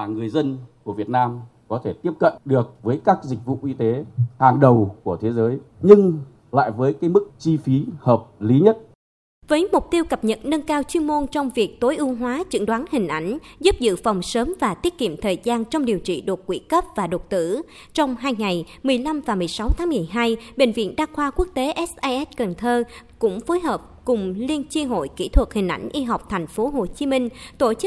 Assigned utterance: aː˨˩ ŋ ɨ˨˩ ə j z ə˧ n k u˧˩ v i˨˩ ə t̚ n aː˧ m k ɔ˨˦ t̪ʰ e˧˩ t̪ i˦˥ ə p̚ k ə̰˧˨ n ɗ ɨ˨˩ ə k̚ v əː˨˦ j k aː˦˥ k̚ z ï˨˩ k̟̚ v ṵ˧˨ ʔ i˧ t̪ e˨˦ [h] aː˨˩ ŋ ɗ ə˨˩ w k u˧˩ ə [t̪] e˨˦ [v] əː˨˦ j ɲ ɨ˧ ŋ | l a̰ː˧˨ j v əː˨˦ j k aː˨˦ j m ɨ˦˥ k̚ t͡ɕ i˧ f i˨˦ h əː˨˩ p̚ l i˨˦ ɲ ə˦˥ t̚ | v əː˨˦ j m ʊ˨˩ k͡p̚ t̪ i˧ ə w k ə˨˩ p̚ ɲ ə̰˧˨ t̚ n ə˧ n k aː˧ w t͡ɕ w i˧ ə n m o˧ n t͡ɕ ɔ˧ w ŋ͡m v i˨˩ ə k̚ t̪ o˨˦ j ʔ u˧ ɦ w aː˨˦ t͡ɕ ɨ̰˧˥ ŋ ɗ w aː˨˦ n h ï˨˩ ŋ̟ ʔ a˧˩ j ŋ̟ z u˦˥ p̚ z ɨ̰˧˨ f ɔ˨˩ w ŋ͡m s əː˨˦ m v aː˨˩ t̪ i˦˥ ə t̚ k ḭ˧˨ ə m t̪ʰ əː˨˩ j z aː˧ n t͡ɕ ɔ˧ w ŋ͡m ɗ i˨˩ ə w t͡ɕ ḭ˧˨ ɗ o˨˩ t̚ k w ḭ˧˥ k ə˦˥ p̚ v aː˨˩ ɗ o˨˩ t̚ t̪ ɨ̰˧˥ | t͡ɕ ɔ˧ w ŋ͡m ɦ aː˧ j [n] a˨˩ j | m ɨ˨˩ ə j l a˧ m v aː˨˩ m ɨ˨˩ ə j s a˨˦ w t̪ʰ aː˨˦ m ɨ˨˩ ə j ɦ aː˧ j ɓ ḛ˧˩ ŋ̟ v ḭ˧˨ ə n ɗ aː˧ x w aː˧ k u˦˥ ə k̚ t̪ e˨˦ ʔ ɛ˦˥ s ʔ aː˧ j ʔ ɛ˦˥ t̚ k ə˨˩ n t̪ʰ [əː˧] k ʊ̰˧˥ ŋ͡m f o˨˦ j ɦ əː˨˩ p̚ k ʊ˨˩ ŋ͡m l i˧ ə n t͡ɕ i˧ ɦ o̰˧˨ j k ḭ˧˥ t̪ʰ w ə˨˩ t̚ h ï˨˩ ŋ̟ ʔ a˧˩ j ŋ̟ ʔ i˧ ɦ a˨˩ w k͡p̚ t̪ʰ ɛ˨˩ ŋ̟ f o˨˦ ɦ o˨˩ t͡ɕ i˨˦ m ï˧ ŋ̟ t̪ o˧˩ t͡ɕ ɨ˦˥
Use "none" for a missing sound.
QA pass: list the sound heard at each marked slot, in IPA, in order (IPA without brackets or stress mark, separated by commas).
h, t̪ʰ, z, ŋ, əː˧